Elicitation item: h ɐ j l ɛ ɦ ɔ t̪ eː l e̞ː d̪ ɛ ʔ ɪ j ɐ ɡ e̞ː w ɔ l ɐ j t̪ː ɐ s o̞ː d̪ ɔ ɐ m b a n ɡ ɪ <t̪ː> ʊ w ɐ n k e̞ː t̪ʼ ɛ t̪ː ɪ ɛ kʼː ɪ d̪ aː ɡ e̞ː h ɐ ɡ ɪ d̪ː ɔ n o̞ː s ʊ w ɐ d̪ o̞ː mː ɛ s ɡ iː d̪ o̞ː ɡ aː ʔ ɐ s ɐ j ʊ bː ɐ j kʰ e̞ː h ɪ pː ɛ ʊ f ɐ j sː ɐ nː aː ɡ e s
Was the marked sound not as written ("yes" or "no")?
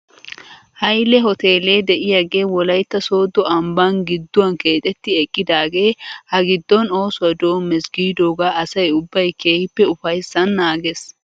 yes